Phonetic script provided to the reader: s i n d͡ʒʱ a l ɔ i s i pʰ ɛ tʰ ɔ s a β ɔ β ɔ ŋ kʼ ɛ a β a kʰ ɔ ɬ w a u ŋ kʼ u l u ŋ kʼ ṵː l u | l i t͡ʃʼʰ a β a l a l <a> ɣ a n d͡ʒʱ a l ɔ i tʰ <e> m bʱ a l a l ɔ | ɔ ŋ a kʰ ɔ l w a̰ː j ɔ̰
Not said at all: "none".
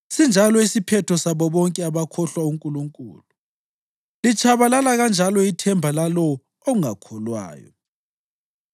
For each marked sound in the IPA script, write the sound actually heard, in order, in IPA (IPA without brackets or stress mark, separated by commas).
a, ɛ